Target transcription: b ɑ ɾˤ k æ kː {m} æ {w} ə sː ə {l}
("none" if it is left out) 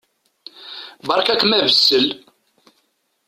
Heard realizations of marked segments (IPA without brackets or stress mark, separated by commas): m, v, l